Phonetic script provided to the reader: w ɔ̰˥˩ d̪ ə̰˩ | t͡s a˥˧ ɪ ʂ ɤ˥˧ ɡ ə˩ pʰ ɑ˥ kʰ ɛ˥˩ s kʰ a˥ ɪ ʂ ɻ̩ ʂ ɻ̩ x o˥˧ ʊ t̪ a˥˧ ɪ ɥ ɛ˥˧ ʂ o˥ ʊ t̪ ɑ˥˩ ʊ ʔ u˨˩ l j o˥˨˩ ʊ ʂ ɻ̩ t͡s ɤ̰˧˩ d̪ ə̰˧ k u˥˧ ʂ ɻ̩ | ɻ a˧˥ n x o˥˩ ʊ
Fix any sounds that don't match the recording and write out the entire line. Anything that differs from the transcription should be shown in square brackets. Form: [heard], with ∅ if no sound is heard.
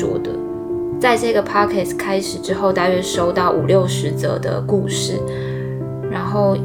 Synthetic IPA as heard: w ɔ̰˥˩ d̪ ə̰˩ | t͡s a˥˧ ɪ [ʈ͡ʂ] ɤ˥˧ ɡ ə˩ pʰ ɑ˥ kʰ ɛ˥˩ s kʰ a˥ ɪ ʂ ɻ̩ [ʈ͡ʂ] ɻ̩ x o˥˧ ʊ t̪ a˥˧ ɪ ɥ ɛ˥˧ ʂ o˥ ʊ t̪ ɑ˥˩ ʊ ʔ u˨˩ l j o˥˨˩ ʊ ʂ ɻ̩ t͡s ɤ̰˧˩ d̪ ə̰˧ k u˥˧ ʂ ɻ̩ | ɻ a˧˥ n x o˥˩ ʊ